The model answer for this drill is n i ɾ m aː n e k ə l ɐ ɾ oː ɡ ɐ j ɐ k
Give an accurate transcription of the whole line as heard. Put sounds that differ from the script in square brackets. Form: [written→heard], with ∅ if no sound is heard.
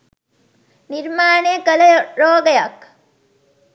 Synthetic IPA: n i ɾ m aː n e k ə l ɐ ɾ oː ɡ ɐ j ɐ k